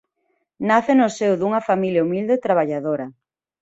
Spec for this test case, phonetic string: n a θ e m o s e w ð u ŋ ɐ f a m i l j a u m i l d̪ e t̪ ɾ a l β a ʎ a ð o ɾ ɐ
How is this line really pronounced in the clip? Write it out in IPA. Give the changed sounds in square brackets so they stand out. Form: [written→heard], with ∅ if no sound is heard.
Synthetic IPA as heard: n a θ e [m→n] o s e w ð u ŋ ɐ f a m i l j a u m i l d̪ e t̪ ɾ a [l→∅] β a ʎ a ð o ɾ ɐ